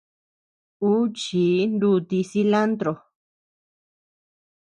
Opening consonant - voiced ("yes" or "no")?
no